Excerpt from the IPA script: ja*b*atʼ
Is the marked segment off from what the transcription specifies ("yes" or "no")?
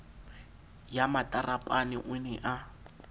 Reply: yes